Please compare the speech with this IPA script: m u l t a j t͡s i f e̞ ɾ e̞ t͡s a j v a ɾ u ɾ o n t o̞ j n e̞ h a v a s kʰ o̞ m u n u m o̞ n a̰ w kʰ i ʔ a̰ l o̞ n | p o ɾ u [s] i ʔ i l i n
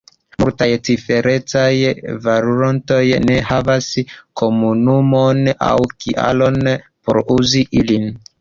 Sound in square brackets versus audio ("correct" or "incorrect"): incorrect